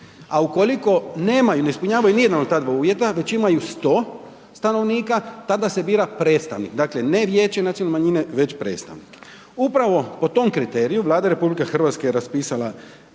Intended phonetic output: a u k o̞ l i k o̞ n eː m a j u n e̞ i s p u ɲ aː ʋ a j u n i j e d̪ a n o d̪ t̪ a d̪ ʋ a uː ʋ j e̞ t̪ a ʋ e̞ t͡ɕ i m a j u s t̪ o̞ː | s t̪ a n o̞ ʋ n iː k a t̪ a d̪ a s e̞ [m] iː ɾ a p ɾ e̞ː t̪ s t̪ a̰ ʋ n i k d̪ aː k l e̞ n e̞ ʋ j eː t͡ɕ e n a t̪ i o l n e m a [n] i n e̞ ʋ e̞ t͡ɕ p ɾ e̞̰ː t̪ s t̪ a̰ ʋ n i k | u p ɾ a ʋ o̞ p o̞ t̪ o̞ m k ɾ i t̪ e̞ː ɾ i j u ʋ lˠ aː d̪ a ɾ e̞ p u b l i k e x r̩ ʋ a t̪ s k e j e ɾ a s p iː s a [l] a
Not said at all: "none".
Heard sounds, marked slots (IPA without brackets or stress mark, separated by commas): b, ɲ, l